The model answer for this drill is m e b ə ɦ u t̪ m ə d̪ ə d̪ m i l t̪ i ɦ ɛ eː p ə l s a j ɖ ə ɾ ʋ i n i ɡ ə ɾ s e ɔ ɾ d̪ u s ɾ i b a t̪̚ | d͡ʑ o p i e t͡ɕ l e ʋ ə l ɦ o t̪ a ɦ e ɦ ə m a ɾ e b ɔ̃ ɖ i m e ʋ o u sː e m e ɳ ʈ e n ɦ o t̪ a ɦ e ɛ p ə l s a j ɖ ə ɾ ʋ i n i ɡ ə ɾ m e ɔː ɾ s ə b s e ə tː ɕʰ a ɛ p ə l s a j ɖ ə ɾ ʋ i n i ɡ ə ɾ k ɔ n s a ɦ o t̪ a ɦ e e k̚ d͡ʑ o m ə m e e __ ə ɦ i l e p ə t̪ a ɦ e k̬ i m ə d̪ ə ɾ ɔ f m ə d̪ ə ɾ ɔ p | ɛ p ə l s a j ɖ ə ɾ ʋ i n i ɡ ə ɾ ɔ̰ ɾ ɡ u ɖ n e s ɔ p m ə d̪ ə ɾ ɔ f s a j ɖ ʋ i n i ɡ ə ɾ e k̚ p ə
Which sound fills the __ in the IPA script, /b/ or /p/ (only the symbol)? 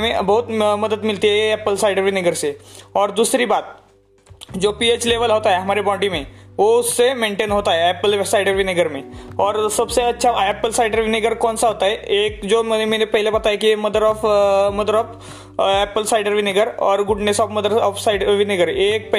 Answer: p